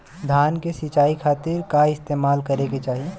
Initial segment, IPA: d̪ʱ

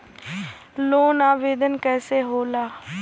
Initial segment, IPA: l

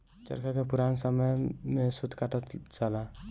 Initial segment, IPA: t͡ʃ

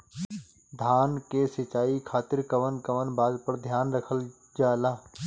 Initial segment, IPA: d̪ʱ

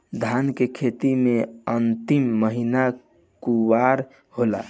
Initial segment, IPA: d̪ʱ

